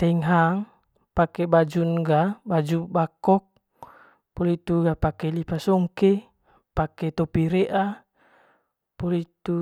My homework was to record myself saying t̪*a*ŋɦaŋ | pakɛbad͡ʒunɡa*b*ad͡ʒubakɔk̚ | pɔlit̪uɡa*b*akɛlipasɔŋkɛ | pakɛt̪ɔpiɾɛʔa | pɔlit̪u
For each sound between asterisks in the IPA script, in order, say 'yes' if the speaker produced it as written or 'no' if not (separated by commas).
no, yes, no